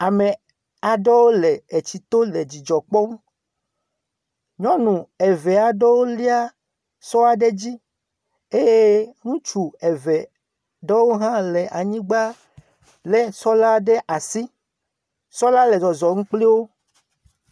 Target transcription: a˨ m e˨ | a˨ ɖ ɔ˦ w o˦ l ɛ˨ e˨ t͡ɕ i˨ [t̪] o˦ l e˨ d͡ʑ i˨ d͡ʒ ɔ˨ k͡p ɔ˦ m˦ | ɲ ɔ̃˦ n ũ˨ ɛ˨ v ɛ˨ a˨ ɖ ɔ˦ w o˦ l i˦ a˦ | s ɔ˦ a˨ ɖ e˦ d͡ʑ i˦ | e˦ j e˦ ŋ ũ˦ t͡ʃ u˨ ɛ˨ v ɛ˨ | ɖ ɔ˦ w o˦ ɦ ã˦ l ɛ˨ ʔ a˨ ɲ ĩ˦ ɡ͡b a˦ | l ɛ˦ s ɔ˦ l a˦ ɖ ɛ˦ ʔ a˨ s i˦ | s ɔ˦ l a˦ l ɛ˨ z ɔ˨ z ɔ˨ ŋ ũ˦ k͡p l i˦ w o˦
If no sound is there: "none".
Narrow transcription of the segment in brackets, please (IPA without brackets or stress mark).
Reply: t̪